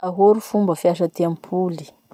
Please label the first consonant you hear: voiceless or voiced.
voiced